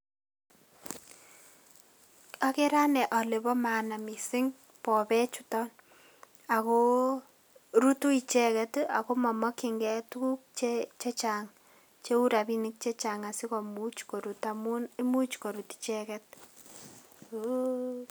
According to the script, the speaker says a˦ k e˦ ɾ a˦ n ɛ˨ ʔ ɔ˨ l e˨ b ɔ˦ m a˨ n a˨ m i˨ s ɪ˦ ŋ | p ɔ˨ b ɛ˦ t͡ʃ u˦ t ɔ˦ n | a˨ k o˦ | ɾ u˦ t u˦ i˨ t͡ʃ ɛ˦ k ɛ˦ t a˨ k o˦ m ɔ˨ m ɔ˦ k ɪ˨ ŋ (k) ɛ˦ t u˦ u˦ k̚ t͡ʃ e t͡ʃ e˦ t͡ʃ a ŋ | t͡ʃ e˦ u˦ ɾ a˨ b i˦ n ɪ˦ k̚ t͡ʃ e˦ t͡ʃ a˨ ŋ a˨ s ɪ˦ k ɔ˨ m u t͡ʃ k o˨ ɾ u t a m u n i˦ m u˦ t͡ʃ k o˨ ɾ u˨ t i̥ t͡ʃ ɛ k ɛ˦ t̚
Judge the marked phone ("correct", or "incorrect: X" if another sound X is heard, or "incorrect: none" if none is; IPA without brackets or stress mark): incorrect: ɡ